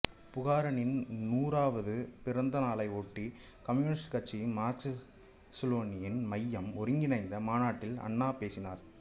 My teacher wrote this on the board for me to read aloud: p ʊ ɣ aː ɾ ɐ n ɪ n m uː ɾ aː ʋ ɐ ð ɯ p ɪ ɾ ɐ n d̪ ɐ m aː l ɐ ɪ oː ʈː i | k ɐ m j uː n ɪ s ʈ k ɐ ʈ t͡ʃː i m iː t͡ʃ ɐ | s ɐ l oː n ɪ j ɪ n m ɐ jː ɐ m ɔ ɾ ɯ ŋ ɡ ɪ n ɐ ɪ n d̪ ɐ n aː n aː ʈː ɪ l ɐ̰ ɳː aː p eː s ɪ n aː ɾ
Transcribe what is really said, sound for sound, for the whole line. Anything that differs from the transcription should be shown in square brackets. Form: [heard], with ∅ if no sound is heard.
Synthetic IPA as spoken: p ʊ ɣ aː ɾ ɐ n ɪ n [n] uː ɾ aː ʋ ɐ ð ɯ p ɪ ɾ ɐ n d̪ ɐ [n] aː l ɐ ɪ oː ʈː i | k ɐ m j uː n ɪ s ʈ k ɐ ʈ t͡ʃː i m [aː] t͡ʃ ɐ | s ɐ l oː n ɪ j ɪ n m ɐ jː ɐ m ɔ ɾ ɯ ŋ ɡ ɪ n ɐ ɪ n d̪ ɐ [m] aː n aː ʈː ɪ l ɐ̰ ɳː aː p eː s ɪ n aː ɾ